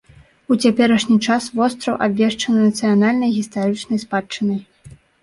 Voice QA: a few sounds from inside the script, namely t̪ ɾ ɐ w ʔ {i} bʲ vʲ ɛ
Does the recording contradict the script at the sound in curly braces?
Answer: yes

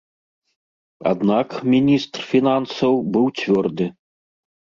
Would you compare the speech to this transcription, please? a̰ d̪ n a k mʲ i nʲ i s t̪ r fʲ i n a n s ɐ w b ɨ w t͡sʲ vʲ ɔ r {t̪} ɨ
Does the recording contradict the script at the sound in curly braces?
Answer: yes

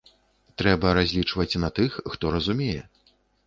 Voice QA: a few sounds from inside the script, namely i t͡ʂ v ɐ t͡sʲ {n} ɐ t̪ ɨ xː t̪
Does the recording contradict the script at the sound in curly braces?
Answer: no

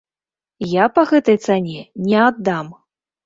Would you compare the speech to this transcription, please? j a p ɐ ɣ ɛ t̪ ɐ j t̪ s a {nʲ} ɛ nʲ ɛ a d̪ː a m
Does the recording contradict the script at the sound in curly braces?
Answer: no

